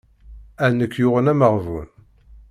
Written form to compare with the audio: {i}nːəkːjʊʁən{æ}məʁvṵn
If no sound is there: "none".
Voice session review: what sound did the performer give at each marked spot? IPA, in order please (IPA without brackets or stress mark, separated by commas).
æ, æ